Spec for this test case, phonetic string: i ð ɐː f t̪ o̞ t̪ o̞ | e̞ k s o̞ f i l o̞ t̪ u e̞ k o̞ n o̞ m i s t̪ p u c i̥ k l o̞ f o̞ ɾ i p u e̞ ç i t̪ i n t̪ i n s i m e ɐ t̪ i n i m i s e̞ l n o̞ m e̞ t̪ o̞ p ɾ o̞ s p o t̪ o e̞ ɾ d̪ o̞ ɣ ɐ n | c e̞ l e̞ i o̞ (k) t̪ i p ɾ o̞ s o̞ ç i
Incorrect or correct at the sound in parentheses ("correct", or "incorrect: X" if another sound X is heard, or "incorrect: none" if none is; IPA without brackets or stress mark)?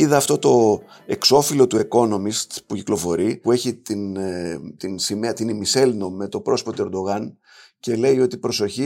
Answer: incorrect: none